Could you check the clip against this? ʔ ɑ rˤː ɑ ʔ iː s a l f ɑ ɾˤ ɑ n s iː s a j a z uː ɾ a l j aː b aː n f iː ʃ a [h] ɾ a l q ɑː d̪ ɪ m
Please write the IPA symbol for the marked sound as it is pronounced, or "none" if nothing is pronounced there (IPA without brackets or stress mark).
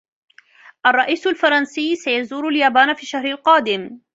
h